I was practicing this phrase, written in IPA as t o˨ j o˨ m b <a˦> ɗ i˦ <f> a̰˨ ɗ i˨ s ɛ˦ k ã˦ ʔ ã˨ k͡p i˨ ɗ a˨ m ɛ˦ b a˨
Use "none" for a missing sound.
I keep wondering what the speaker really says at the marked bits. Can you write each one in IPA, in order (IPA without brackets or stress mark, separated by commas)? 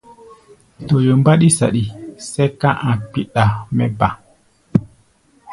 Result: a˦, s